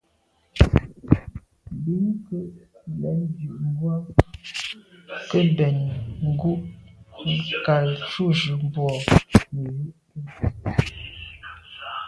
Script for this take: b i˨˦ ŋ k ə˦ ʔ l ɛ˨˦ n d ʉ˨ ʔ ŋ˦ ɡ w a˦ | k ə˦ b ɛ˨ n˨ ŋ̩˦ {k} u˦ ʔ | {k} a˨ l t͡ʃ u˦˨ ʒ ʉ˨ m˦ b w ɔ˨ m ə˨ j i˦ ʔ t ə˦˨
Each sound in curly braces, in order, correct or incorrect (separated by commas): incorrect, correct